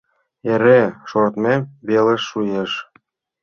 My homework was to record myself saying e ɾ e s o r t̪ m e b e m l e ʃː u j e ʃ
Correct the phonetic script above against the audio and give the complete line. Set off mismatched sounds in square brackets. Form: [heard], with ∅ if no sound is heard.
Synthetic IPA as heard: e ɾ e [ʃ] o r t̪ m e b e [∅] l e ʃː u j e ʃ